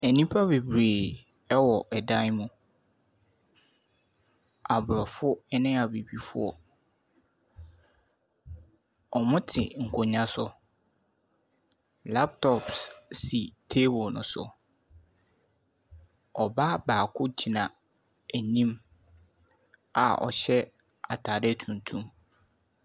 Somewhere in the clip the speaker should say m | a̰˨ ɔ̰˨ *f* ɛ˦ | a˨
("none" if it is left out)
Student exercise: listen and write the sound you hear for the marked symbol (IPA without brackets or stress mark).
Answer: ɕ